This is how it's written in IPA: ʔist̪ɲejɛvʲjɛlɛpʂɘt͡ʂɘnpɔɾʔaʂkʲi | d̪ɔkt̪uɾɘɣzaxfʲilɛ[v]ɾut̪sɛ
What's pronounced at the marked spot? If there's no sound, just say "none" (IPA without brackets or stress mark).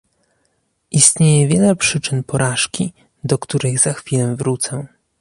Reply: v